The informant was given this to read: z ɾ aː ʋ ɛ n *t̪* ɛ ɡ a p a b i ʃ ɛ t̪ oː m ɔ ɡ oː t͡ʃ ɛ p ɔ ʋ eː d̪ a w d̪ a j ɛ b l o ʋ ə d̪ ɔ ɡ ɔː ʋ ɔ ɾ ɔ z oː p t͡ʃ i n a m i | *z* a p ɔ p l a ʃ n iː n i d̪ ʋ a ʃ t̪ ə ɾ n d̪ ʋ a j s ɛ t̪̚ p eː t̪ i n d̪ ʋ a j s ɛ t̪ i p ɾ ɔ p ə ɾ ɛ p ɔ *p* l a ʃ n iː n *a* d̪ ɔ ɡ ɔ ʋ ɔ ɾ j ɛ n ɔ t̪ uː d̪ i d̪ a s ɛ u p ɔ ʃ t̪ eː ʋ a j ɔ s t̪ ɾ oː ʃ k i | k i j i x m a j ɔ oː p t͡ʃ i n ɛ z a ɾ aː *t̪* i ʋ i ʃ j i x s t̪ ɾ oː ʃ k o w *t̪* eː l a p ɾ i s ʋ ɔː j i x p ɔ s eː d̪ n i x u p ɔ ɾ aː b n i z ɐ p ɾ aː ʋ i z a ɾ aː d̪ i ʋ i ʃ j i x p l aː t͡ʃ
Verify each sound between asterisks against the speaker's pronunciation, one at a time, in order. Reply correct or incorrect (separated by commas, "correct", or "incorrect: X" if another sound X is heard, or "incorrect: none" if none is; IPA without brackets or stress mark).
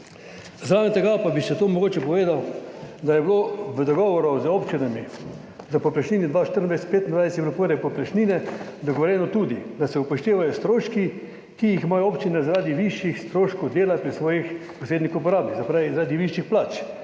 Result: correct, correct, correct, incorrect: ɛ, incorrect: d̪, incorrect: d̪